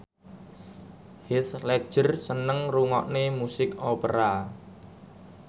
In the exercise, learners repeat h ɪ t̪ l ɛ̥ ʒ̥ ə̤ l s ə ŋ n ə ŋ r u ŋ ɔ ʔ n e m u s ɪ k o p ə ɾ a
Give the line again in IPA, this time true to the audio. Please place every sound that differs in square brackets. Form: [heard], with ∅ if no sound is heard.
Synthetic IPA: h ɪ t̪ l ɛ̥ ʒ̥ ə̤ [r] s ə [∅] n ə ŋ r u ŋ ɔ ʔ n e m u s ɪ k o p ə ɾ a